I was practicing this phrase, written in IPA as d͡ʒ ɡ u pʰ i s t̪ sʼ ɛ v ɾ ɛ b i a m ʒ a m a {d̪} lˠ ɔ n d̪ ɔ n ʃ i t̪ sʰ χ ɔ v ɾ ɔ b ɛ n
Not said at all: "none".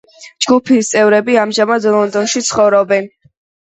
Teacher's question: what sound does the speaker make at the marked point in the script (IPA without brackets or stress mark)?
d̪